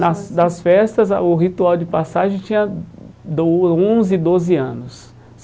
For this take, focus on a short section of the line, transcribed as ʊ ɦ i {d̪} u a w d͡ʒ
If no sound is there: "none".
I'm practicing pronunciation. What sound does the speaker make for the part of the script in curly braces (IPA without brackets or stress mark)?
t̪